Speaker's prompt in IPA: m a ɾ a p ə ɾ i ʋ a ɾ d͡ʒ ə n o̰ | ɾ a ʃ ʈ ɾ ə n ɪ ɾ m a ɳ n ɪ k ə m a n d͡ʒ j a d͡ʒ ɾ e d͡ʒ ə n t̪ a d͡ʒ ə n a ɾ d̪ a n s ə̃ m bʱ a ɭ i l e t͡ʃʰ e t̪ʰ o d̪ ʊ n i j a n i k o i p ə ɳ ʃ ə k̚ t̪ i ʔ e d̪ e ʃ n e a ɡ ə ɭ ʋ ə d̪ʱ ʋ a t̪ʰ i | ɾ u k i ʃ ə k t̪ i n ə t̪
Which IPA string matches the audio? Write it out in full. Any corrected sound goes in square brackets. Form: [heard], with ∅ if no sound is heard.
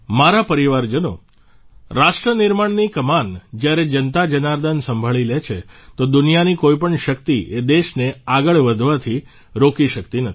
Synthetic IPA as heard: m a ɾ a p ə ɾ i ʋ a ɾ d͡ʒ ə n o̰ | ɾ a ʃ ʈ ɾ ə n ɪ ɾ m a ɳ n [i] k ə m a n d͡ʒ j a [∅] ɾ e d͡ʒ ə n t̪ a d͡ʒ ə n a ɾ d̪ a n s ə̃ m bʱ a ɭ i l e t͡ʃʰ e [t̪] o d̪ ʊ n i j a n i k o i p ə ɳ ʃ ə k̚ t̪ i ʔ e d̪ e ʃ n e a ɡ ə ɭ ʋ ə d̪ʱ ʋ a t̪ʰ i | ɾ [o] k i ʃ ə k t̪ i n ə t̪